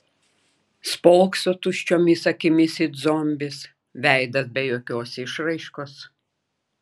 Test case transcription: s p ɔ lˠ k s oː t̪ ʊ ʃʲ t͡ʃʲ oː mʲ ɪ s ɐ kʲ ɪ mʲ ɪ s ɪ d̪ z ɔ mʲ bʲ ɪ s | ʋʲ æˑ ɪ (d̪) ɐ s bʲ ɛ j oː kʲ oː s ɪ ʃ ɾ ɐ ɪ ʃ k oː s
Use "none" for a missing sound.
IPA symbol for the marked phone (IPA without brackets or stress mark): d̪